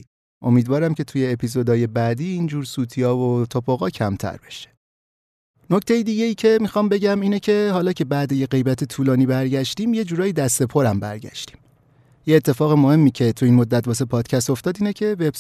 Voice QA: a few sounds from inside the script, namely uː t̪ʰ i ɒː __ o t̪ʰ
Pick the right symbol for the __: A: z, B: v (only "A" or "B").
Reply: B